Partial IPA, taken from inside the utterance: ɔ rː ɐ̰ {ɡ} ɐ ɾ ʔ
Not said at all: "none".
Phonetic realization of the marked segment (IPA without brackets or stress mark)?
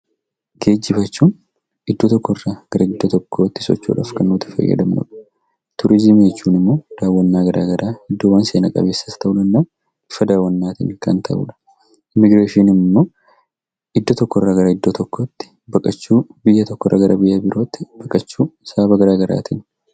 ɡ